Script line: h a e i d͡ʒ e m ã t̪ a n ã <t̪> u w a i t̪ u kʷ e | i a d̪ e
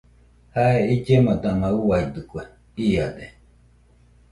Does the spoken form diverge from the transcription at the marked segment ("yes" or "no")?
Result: yes